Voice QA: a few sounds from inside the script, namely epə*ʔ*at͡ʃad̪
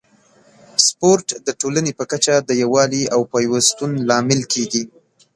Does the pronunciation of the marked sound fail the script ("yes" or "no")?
yes